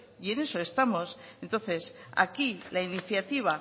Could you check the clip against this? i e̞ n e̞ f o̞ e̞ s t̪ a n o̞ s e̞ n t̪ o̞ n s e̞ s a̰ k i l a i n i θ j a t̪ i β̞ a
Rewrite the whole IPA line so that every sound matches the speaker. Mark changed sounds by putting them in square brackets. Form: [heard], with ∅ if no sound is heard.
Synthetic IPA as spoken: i e̞ n e̞ [s] o̞ e̞ s t̪ a [m] o̞ s e̞ n t̪ o̞ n [θ] e̞ s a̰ k i l a i n i θ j a t̪ i β̞ a